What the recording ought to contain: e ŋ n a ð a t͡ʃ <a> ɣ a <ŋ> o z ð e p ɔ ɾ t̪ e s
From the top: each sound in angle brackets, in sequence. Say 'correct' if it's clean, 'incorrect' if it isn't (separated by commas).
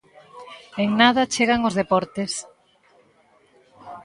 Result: incorrect, correct